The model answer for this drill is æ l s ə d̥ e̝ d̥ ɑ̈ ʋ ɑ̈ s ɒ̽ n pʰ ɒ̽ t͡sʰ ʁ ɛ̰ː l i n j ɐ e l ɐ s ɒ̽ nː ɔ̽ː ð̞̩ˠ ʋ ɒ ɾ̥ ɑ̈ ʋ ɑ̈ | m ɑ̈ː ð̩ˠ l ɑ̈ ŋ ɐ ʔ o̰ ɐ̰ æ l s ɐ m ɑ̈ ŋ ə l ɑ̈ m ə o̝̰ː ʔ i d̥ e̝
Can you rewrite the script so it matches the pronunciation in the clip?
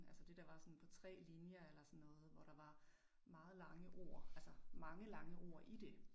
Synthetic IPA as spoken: æ l s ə d̥ e̝ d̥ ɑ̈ ʋ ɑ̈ s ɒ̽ n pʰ ɒ̽ t͡sʰ ʁ ɛ̰ː l i n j ɐ e l ɐ s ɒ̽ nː ɔ̽ː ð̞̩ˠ ʋ ɒ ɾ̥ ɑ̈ ʋ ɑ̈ | m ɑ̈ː ð̩ˠ l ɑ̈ ŋ ə ʔ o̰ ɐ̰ æ l s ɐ m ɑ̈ ŋ ə l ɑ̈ ŋ ə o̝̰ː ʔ i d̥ e̝